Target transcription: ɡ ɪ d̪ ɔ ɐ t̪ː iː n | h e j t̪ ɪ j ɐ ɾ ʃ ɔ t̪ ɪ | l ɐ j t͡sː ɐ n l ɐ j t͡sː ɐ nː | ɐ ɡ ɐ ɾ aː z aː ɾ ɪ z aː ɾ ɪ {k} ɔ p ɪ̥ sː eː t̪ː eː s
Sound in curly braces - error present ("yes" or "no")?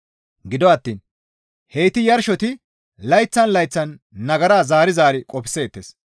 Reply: yes